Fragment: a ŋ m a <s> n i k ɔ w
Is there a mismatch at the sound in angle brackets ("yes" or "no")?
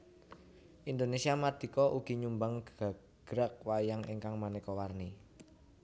yes